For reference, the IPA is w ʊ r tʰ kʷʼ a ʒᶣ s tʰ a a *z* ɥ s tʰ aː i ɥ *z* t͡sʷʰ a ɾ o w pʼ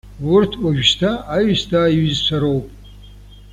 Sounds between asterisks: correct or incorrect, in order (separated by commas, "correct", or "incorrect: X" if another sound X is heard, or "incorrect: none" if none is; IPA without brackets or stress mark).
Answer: incorrect: none, correct